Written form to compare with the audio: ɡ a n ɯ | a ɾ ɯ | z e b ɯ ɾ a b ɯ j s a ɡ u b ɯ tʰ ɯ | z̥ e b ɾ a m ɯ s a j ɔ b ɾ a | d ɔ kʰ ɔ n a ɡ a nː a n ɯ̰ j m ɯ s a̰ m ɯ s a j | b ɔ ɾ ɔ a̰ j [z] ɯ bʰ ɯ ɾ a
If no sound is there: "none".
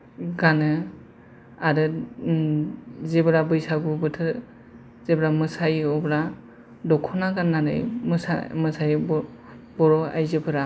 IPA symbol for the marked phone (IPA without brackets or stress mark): z